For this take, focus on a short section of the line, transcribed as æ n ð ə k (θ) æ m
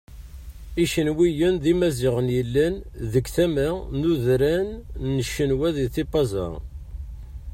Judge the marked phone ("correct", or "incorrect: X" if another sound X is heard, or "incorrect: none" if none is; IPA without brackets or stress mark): correct